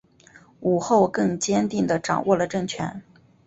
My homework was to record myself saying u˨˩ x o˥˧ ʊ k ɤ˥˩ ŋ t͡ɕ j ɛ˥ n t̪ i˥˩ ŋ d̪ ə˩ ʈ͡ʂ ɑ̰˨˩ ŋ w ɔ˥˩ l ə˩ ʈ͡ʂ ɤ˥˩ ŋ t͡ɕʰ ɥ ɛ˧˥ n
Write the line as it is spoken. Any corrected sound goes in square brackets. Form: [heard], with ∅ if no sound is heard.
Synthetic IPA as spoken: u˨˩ x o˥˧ ʊ k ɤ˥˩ ŋ t͡ɕ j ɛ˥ n t̪ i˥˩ ŋ d̪ ə˩ ʈ͡ʂ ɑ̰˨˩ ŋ w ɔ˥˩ l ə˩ ʈ͡ʂ ɤ˥˩ ŋ t͡ɕʰ ɥ ɛ˧˥ n